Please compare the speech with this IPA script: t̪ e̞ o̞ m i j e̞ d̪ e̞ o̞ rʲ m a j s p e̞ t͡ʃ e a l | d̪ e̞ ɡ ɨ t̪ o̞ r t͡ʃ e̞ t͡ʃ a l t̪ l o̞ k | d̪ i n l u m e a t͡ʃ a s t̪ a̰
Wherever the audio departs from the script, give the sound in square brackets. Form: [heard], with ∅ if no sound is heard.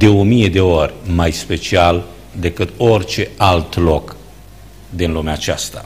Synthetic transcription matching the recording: [d̪] e̞ o̞ m i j e̞ d̪ e̞ o̞ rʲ m a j s p e̞ t͡ʃ [i] a l | d̪ e̞ [k] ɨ t̪ o̞ r t͡ʃ e̞ [∅] a l t̪ l o̞ k | d̪ i n l u m e a t͡ʃ a s t̪ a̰